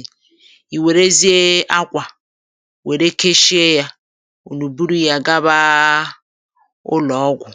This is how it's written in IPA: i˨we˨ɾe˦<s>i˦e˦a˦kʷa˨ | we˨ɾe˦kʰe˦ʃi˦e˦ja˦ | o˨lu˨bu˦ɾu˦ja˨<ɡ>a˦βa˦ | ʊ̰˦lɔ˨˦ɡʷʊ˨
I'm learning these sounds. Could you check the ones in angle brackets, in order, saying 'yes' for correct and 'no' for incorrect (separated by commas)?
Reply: no, yes